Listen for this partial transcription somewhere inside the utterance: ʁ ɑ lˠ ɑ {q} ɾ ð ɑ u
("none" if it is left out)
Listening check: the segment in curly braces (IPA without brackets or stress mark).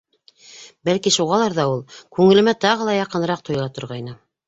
none